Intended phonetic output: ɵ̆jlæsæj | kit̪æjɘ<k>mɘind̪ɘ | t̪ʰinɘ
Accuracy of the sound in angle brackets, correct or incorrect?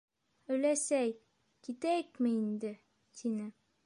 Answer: correct